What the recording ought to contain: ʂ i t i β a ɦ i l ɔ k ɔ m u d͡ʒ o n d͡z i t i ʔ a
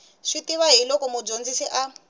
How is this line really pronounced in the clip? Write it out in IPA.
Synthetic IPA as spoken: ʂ i t i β a ɦ i l ɔ k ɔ m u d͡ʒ o n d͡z i s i ʔ a

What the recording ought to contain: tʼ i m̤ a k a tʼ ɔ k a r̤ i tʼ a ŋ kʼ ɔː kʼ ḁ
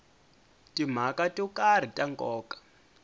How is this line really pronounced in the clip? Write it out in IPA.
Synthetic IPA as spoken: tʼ i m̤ a k a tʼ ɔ k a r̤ i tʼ a ŋ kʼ ɔː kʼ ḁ

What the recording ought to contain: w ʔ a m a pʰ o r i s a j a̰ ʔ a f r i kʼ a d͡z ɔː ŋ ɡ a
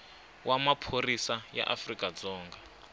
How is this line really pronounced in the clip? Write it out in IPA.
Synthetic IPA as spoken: w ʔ a m a pʰ o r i s a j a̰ ʔ a f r i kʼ a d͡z ɔː ŋ ɡ a

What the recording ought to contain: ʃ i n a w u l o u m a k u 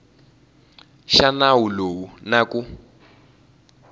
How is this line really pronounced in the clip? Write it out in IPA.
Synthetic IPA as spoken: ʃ a n a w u l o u n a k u

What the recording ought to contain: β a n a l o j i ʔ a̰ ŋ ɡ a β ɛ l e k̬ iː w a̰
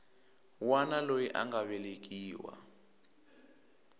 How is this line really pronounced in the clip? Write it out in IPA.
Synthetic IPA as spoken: w a n a l o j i ʔ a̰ ŋ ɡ a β ɛ l e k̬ iː w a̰

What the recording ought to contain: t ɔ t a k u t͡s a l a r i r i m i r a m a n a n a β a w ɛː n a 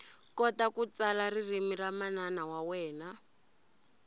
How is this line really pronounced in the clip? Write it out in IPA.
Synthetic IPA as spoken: k ɔ t a k u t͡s a l a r i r i m i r a m a n a n a w a w ɛː n a

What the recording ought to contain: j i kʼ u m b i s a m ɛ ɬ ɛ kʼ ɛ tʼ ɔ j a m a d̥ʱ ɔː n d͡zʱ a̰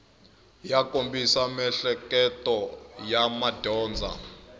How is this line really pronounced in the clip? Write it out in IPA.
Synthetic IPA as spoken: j a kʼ o m b i s a m ɛ ɬ ɛ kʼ ɛ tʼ ɔ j a m a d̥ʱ ɔː n d͡zʱ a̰

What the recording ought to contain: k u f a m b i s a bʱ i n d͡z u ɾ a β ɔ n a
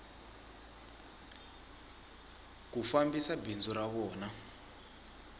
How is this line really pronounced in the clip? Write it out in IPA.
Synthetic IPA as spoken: k u f a m b i s a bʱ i n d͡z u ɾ a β ɔː n a

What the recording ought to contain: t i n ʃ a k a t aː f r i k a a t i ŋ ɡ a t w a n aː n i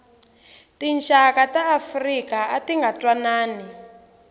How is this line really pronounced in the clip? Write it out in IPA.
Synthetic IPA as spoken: t i n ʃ a k a t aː f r i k a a t i ŋ ɡ a t w a n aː n i

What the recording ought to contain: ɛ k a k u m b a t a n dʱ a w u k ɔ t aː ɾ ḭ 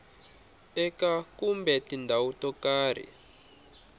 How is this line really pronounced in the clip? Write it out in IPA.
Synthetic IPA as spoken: ɛ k a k u m b ɛ t i n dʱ a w u t ɔ k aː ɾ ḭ

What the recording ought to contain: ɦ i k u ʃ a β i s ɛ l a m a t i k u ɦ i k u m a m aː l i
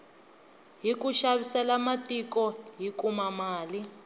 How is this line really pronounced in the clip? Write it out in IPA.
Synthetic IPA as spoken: ɦ i k u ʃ a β i s ɛ l a m a t i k ɔ ɦ i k u m a m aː l i

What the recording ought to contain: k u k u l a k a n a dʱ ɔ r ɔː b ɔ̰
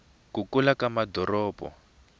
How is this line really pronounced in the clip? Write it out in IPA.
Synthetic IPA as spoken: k u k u l a k a m a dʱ ɔ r ɔː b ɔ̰

